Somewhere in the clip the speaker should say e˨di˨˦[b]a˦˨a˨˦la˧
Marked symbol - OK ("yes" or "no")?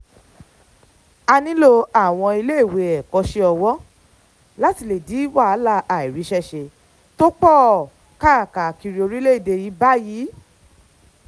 no